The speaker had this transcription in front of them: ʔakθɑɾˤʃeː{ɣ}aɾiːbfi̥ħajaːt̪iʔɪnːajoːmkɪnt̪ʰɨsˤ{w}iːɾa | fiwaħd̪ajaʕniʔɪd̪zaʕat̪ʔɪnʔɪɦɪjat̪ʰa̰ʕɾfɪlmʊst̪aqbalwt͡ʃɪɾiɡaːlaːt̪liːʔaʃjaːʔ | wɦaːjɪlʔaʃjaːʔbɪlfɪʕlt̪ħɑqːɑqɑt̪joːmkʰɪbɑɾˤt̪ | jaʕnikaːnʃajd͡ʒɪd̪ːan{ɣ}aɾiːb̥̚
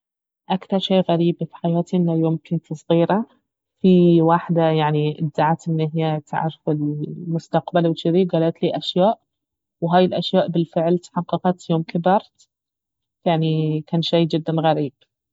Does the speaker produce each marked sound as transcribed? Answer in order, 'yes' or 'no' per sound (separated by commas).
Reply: yes, no, yes